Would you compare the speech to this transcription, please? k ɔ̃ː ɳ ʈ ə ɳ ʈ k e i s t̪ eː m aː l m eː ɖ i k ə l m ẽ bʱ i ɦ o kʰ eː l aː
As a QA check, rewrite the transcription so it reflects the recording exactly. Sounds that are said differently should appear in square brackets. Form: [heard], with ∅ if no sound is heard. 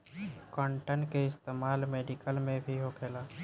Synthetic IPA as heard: k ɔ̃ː ɳ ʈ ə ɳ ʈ k e [ɪ] s t̪ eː m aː l m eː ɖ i k ə l m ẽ bʱ i ɦ o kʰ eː l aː